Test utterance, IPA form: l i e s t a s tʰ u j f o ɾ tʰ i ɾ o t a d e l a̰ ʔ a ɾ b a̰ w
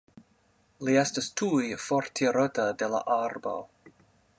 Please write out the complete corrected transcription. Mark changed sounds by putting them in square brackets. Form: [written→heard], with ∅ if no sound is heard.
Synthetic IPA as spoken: l i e s t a s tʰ u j f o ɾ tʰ i ɾ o t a d e l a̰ ʔ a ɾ b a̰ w